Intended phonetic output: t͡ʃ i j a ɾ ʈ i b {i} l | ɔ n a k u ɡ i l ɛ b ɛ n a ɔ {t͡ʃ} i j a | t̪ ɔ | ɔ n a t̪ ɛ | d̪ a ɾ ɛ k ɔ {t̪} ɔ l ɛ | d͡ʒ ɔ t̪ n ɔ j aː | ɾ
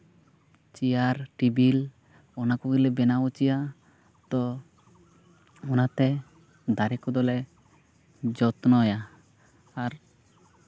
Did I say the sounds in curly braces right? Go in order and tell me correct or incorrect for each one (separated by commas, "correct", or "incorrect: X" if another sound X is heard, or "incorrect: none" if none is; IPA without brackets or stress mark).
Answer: correct, correct, incorrect: d̪